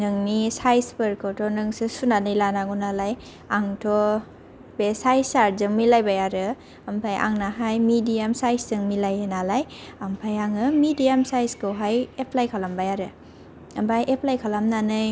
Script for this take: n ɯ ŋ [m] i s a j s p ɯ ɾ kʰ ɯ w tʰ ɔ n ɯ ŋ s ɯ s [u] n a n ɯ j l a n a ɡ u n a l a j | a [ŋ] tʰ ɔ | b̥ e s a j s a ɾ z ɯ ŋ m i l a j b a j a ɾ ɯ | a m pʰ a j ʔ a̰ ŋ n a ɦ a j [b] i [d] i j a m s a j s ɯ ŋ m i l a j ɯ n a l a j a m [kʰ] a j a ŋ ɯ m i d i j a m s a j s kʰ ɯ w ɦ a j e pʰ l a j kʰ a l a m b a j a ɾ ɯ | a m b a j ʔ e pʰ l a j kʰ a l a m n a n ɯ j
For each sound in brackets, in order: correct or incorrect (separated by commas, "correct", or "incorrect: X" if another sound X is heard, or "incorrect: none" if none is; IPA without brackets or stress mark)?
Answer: incorrect: n, correct, correct, incorrect: m, correct, incorrect: pʰ